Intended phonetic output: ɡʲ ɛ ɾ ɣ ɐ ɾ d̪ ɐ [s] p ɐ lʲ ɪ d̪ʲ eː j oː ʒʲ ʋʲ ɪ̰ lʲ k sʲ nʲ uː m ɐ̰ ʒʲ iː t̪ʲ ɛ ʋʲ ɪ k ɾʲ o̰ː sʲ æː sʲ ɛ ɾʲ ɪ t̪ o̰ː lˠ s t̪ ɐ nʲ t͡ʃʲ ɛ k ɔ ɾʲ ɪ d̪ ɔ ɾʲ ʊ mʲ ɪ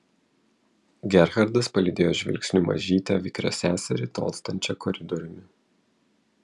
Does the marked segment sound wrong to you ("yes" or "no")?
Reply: no